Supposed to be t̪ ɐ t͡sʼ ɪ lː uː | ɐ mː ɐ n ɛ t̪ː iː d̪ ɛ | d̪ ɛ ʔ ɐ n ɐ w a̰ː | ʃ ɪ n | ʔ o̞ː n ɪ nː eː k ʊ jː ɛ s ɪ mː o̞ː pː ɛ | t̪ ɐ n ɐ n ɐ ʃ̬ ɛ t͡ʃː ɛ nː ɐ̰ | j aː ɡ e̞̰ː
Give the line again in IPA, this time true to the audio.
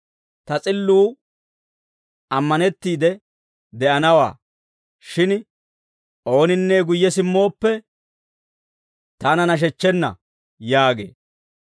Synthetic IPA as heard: t̪ ɐ t͡sʼ ɪ lː uː | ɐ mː ɐ n ɛ t̪ː iː d̪ ɛ | d̪ ɛ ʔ ɐ n ɐ w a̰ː | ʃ ɪ n | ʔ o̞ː n ɪ nː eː ɡ ʊ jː ɛ s ɪ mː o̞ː pː ɛ | t̪ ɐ n ɐ n ɐ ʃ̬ ɛ t͡ʃː ɛ nː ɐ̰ | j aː ɡ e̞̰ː